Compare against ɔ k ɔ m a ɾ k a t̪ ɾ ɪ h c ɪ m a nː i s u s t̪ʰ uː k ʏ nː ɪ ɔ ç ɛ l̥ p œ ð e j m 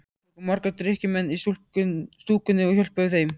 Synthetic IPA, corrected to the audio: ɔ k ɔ m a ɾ k a t̪ ɾ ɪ h c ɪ m ɛ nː i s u s t̪ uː k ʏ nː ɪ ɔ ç œ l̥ p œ θ e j m